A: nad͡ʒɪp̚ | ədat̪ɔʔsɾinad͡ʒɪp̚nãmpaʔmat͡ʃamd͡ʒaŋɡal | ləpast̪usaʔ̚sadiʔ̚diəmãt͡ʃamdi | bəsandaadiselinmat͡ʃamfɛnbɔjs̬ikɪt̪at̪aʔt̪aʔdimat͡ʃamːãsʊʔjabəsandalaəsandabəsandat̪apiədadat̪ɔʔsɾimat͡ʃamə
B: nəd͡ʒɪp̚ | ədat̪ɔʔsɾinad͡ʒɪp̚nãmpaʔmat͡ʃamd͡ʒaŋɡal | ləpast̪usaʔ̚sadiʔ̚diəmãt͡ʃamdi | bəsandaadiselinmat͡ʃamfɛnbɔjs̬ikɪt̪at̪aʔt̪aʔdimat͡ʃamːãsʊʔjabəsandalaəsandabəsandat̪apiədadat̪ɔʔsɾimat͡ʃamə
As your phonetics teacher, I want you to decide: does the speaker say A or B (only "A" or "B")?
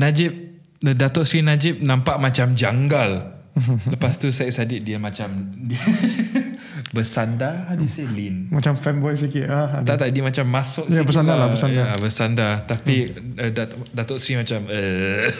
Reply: A